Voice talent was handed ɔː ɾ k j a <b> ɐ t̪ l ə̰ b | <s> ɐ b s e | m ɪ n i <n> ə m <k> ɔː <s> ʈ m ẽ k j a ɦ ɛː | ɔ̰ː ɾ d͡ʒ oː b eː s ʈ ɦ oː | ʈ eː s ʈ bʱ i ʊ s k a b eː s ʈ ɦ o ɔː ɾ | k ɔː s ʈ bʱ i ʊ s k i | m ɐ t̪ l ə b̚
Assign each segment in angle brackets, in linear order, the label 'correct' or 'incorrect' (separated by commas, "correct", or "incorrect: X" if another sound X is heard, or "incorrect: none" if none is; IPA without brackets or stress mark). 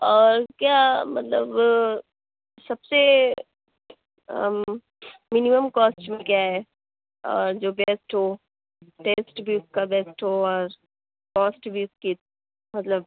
incorrect: m, correct, incorrect: m, correct, correct